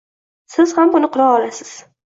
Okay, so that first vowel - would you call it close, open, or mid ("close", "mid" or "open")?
close